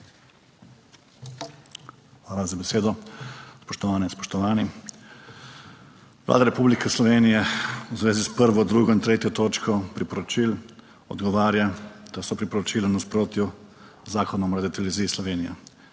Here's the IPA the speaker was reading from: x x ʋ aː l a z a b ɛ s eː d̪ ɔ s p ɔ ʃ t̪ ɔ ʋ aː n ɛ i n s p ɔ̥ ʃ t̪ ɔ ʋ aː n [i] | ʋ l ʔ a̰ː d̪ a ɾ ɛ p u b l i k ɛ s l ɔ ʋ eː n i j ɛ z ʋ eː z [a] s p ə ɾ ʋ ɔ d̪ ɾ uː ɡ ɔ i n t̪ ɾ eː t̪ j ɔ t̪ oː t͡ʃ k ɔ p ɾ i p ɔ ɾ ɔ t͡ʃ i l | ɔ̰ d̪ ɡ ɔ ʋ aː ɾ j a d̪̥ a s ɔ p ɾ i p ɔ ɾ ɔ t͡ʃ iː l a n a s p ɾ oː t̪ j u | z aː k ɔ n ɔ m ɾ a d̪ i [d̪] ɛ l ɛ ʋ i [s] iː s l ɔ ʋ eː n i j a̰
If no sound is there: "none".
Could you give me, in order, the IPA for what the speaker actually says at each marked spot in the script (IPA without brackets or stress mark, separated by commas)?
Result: i, i, t̪, z